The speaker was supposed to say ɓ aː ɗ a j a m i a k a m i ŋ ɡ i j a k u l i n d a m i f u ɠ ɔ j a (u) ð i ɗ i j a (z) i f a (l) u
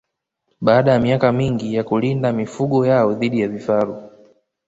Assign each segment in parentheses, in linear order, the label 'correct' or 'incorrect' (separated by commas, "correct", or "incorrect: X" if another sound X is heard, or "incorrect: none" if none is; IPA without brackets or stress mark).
incorrect: ɔ, incorrect: v, incorrect: ɾ